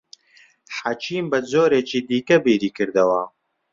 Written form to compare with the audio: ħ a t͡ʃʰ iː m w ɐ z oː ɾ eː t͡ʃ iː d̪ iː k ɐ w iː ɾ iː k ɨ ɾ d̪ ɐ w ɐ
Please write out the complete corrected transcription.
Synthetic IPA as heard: ħ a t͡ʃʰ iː m b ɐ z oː ɾ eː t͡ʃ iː d̪ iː k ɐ b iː ɾ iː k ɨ ɾ d̪ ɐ w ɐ

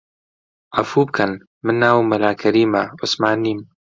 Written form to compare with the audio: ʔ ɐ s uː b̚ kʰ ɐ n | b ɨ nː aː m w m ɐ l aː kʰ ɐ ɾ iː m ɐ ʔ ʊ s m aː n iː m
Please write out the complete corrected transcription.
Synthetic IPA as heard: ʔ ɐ f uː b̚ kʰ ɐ n | m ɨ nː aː w m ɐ l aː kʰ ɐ ɾ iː m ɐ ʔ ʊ s m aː n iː m

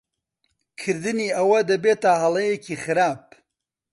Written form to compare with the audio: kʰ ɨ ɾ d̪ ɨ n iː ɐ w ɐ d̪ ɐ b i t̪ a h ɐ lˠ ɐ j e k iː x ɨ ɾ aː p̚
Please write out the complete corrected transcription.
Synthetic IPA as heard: kʰ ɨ ɾ d̪ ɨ n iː ɐ w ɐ d̪ ɐ b e t̪ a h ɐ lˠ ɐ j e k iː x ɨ ɾ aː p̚

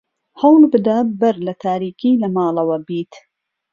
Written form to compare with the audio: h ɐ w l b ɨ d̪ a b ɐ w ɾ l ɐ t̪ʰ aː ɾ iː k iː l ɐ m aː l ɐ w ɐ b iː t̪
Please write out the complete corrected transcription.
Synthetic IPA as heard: h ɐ w l b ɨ d̪ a b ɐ ɾ l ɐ t̪ʰ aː ɾ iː k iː l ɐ m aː l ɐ w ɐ b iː t̪

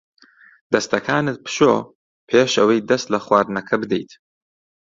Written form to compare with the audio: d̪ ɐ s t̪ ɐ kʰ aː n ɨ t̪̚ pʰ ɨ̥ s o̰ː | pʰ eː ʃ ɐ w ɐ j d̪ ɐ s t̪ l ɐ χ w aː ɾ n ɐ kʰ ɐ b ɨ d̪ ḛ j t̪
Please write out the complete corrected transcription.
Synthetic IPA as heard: d̪ ɐ s t̪ ɐ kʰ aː n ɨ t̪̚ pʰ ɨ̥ ʃ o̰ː | pʰ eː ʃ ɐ w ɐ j d̪ ɐ s t̪ l ɐ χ w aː ɾ n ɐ kʰ ɐ b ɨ d̪ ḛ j t̪

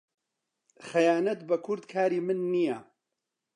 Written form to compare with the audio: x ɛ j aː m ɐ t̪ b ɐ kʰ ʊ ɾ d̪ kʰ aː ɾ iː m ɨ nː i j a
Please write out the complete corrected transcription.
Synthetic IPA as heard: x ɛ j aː n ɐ t̪ b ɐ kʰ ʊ ɾ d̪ kʰ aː ɾ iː m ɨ nː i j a

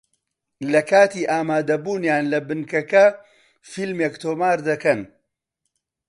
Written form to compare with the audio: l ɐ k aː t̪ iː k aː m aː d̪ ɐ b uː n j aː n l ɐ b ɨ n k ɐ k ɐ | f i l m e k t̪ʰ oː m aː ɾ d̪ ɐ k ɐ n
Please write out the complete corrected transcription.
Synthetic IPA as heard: l ɐ k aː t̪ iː ʔ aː m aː d̪ ɐ b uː n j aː n l ɐ b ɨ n k ɐ k ɐ | f i l m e k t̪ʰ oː m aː ɾ d̪ ɐ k ɐ n

